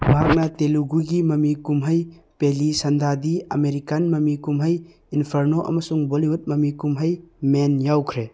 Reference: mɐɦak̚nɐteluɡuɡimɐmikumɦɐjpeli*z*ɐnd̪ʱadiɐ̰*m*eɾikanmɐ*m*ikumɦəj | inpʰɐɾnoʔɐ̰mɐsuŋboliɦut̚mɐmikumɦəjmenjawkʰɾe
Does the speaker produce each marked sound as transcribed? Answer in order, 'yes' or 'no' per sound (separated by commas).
no, yes, yes